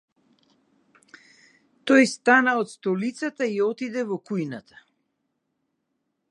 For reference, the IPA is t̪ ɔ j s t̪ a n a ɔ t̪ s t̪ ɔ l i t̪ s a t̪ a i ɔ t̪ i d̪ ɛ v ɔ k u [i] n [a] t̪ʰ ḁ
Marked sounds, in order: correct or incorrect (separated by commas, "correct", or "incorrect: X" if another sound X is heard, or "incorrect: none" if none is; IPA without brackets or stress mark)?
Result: incorrect: j, correct